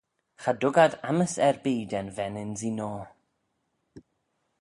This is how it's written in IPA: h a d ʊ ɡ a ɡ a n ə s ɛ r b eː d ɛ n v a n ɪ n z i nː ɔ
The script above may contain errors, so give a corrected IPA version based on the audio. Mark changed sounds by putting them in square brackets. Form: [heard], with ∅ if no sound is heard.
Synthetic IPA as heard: [χ] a d ʊ ɡ a [d] a [m] ə s ɛ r b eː d ɛ n v [ɛ] n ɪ n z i [n] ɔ